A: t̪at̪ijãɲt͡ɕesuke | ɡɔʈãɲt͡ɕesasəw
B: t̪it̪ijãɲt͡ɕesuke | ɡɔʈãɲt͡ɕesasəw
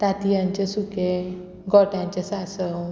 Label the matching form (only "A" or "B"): A